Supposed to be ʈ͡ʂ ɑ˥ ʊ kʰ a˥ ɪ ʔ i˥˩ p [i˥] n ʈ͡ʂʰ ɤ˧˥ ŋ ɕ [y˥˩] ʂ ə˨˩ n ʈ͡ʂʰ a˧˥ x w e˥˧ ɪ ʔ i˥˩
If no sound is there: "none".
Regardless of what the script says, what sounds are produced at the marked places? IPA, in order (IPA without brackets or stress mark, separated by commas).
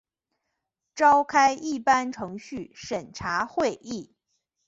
a˥, y˥˩